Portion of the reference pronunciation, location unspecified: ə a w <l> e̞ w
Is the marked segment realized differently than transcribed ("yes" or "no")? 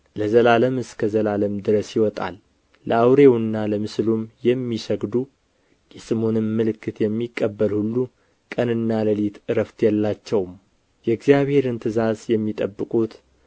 yes